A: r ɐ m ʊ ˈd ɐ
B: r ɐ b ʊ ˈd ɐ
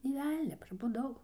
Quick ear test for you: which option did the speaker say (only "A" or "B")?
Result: B